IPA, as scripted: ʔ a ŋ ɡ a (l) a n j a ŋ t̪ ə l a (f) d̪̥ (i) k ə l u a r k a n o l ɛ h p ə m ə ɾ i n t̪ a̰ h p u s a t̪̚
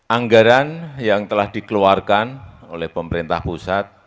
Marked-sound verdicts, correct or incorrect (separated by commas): incorrect, incorrect, correct